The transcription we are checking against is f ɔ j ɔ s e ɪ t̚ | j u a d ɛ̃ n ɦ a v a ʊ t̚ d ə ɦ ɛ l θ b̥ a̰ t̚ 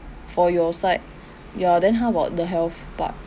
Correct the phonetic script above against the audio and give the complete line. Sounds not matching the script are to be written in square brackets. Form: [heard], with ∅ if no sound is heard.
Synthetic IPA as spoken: f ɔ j ɔ s [a] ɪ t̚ | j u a d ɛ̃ n ɦ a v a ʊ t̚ d ə ɦ ɛ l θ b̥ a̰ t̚